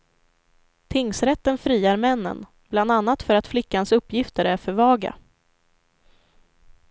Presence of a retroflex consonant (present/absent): absent